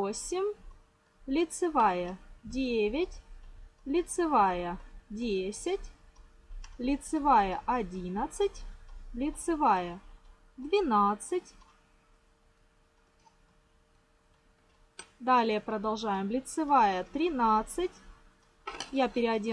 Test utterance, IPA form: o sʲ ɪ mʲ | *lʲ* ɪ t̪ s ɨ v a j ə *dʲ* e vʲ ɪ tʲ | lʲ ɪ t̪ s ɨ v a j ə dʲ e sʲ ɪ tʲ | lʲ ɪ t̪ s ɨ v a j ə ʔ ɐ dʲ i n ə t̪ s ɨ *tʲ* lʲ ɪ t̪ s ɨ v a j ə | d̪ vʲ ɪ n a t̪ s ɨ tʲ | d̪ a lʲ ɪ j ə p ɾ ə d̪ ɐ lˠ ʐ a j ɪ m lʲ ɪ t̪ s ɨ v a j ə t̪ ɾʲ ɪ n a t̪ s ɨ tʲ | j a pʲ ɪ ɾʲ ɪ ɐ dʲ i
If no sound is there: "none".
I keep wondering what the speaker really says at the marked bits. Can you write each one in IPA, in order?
lʲ, dʲ, tʲ

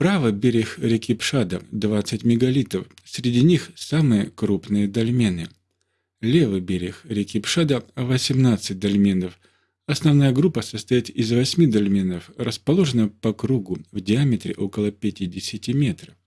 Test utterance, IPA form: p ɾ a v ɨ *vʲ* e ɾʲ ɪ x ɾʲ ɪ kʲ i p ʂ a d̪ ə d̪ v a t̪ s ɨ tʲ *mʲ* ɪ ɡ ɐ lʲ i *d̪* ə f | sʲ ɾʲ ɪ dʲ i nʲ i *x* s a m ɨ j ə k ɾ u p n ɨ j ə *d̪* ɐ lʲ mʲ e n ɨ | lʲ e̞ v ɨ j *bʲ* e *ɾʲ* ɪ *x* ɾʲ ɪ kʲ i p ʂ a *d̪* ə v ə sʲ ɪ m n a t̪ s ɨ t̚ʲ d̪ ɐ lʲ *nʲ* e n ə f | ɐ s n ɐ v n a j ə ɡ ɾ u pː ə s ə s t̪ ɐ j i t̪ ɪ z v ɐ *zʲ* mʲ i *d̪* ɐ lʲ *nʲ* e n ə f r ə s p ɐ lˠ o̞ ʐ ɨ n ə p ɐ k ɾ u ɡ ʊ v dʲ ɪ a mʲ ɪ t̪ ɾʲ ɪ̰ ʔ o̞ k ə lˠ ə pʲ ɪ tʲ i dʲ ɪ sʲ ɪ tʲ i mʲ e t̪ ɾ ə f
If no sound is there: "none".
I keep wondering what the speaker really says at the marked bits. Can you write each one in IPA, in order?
bʲ, mʲ, t̪, x, d̪, bʲ, ɾʲ, x, d̪, mʲ, sʲ, d̪, mʲ

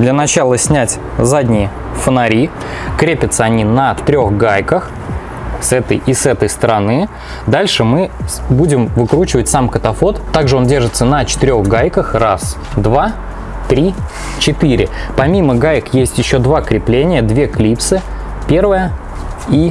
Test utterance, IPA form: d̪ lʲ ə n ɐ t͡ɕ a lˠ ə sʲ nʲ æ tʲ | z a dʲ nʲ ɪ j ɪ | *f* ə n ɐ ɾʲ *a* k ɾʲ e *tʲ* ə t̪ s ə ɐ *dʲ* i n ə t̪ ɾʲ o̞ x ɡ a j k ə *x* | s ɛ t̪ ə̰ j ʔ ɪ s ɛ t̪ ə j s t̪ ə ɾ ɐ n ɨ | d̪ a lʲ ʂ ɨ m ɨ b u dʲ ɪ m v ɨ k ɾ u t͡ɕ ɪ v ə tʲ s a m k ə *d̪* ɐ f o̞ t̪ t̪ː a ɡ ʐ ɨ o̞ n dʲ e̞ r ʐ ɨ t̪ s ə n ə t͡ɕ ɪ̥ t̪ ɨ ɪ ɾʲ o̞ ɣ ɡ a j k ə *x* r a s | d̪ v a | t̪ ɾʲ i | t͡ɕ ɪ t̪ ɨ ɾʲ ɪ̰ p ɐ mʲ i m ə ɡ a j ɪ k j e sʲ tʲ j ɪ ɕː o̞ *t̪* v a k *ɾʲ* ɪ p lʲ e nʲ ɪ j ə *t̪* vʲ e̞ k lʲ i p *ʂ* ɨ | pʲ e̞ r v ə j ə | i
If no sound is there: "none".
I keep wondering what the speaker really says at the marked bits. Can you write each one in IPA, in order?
f, i, pʲ, nʲ, x, t̪, x, d̪, ɾʲ, d̪, s

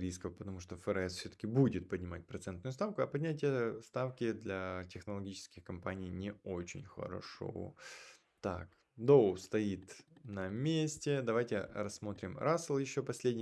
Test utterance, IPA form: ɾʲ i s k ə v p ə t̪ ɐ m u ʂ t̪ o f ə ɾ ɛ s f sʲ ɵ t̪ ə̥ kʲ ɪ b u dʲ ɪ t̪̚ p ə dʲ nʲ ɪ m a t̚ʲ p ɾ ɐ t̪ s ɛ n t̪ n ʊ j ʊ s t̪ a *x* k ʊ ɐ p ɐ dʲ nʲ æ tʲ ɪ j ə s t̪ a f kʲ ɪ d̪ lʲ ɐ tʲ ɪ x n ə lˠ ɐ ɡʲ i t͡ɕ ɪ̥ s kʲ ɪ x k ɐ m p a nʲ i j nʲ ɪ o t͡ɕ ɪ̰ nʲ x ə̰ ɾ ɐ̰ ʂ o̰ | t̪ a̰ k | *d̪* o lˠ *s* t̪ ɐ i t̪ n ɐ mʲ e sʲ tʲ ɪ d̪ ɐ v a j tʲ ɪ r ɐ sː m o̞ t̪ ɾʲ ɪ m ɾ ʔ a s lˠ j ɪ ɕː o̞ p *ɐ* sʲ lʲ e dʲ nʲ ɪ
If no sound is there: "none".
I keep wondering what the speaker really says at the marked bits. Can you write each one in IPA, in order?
f, d̪, s, ɐ

